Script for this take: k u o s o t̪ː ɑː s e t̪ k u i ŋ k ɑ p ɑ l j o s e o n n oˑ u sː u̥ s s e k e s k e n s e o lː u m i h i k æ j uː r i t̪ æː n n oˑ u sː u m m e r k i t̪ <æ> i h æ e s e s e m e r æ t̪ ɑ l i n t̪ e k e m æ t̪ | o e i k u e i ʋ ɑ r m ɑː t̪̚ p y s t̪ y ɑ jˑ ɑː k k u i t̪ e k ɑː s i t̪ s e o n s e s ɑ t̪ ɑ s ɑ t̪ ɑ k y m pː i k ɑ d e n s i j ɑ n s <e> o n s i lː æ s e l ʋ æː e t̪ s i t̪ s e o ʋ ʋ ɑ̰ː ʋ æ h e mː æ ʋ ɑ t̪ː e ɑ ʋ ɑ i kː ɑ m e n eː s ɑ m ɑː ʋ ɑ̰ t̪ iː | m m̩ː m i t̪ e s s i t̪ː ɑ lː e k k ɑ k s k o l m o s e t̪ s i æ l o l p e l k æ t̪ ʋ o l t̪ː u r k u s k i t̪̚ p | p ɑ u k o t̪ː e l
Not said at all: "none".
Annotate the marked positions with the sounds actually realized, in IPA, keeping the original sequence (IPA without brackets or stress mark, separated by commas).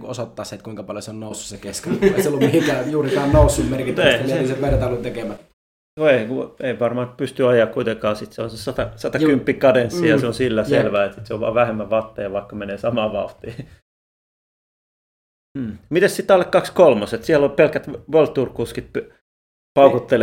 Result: e, e